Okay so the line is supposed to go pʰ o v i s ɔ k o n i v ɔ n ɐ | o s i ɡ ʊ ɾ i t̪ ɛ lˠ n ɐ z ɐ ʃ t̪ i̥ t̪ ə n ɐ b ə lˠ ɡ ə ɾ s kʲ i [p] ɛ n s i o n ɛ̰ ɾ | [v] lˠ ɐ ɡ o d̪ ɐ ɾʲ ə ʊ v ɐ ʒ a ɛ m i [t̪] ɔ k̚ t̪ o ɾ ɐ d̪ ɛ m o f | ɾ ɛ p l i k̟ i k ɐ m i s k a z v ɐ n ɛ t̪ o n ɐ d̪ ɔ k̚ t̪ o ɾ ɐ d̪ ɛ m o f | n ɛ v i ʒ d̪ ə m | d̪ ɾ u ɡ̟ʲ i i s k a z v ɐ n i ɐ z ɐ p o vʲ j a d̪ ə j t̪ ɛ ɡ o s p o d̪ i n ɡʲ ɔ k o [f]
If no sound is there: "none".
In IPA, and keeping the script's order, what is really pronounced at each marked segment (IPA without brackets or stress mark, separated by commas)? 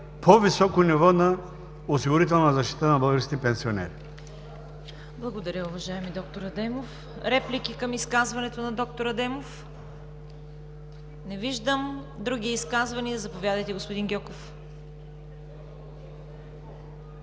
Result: p, b, d̪, f